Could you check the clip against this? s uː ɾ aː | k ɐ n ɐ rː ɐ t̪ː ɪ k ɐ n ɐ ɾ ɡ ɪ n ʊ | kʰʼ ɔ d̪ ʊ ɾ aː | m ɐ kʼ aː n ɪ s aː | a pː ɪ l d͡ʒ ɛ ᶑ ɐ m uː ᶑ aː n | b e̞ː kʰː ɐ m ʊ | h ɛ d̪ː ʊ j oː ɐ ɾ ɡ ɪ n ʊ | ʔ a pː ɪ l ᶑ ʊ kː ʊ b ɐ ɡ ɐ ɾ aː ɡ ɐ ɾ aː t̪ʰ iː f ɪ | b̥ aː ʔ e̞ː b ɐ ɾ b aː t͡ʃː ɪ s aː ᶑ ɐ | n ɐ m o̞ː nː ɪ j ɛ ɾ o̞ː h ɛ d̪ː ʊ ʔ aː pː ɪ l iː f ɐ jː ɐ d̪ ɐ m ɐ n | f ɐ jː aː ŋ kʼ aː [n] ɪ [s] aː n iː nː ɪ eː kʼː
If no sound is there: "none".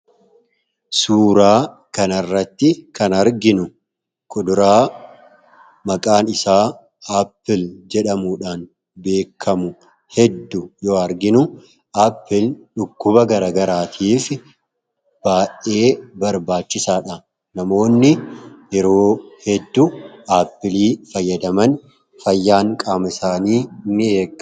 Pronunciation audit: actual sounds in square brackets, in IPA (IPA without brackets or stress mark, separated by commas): m, s